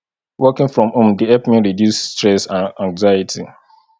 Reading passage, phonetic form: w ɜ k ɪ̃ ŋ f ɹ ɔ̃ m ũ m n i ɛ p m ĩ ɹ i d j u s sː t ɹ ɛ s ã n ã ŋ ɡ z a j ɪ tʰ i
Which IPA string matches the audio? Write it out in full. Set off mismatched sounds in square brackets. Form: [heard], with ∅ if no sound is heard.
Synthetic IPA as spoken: w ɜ k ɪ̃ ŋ f ɹ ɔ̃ m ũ m [d] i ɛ p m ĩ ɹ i d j u s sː t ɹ ɛ s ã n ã ŋ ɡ z a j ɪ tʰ i